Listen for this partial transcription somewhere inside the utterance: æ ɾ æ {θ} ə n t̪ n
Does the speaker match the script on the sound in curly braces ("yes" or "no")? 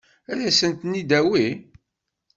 no